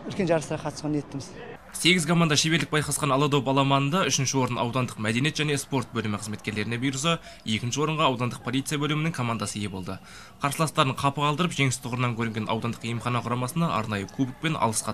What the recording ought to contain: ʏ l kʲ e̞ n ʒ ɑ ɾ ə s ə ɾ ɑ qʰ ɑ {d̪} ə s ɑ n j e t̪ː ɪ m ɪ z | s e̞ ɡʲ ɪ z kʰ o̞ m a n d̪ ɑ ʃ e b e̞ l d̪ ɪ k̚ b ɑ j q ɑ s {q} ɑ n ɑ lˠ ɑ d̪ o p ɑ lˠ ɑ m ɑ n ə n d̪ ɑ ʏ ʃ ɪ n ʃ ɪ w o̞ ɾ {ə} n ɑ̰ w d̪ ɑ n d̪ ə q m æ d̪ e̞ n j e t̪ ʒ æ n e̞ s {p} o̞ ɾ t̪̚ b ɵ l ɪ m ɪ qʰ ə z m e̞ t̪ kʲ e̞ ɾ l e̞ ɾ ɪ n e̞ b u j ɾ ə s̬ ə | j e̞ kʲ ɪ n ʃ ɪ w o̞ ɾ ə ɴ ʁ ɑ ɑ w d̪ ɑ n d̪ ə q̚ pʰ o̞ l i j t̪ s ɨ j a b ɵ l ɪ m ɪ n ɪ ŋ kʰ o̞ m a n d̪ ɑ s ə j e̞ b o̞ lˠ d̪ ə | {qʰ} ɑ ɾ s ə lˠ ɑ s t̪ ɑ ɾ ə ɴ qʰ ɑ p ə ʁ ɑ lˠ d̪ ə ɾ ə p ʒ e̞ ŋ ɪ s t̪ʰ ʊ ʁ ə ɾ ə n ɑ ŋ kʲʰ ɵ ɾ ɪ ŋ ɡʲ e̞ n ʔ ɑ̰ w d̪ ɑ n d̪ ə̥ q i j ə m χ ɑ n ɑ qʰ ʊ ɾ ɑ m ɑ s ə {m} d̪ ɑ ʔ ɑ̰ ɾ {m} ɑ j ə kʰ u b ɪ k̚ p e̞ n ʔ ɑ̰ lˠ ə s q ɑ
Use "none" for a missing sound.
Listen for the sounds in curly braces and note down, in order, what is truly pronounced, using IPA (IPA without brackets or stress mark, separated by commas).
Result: t̪, q, ə, p, qʰ, n, n